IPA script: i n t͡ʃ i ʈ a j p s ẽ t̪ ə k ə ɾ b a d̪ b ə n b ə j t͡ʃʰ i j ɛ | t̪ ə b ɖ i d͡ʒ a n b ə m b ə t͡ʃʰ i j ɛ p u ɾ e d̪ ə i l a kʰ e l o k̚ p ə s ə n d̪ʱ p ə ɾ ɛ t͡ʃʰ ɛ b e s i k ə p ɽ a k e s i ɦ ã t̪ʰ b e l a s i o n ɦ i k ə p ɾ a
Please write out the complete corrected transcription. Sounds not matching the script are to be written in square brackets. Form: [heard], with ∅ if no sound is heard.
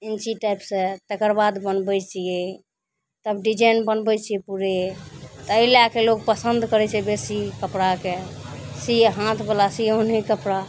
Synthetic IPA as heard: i n t͡ʃ i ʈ a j p s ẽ t̪ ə k ə ɾ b a d̪ b ə n b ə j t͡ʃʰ i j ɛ | t̪ ə b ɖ i d͡ʒ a n b ə [n] b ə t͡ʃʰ i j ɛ p u ɾ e [t̪] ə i l a [k] e l o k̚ p ə s ə n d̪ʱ [k] ə ɾ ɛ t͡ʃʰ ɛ b e s i k ə p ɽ a k e s i ɦ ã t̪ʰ b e l a s i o n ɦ i k ə p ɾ a